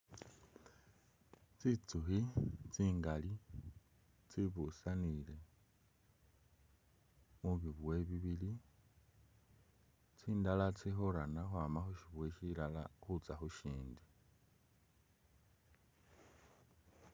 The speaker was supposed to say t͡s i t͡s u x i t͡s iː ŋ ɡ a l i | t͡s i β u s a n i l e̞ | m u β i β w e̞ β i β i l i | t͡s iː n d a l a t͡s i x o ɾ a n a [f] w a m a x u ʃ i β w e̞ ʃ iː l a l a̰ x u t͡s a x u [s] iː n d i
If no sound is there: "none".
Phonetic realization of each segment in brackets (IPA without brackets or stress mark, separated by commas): x, ʃ